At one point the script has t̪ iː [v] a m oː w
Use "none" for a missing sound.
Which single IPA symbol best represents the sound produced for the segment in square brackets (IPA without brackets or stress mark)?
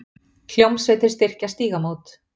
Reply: ɣ